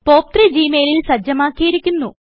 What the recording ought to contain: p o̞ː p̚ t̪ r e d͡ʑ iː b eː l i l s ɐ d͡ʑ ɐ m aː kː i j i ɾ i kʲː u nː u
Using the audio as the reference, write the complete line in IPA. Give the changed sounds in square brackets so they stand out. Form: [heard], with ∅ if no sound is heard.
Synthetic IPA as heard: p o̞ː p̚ t̪ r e d͡ʑ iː [m] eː l i l s ɐ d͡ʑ ɐ m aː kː i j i ɾ i kʲː u nː u